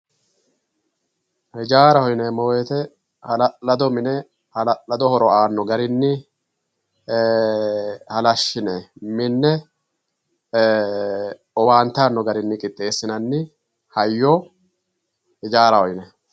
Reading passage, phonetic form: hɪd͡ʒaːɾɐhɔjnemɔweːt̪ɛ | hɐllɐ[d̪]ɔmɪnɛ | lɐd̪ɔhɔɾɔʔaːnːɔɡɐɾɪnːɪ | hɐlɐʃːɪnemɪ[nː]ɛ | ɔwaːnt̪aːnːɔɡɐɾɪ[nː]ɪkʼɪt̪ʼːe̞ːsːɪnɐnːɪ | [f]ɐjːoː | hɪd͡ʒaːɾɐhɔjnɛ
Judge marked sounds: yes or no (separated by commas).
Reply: yes, yes, yes, no